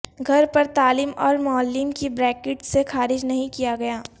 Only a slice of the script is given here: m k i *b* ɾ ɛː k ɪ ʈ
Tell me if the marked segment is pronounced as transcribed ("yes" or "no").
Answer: yes